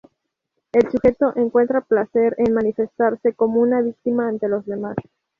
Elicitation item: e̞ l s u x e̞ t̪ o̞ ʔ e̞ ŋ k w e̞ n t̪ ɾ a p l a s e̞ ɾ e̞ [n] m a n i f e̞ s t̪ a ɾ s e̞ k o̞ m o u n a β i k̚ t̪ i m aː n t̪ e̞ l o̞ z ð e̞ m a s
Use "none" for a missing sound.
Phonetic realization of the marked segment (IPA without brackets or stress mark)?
n